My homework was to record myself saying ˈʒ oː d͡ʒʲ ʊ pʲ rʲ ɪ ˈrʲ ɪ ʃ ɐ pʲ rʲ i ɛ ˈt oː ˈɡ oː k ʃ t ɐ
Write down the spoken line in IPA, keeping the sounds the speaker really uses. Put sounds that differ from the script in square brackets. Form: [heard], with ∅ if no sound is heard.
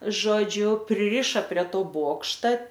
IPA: ˈʒ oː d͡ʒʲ ʊ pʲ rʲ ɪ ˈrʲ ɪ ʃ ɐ pʲ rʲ i ɛ ˈt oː [ˈb] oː k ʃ t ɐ